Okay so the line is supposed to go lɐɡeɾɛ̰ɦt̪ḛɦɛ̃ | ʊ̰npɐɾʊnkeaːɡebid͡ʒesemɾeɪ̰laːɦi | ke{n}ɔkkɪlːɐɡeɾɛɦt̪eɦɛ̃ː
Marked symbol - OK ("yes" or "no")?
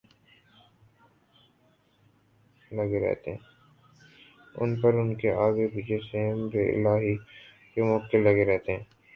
no